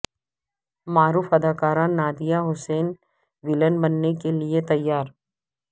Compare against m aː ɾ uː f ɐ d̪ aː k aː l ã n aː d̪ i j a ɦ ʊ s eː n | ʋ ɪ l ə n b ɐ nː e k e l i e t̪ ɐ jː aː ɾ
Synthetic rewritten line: m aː ɾ uː f ɐ d̪ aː k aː ɾ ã n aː d̪ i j a ɦ ʊ s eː n | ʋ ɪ l ə n b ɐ nː e k e l i e t̪ ɐ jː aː ɾ